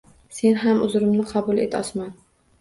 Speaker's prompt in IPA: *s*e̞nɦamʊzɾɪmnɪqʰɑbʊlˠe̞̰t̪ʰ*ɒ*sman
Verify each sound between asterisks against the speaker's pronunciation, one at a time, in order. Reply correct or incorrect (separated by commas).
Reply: correct, correct